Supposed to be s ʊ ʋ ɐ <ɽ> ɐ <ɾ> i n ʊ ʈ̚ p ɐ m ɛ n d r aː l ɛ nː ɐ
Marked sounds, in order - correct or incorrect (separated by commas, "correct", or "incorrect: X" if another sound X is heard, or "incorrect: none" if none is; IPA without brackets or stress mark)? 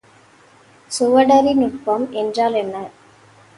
correct, correct